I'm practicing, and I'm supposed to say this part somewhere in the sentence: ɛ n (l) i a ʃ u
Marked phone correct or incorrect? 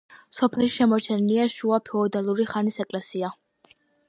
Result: correct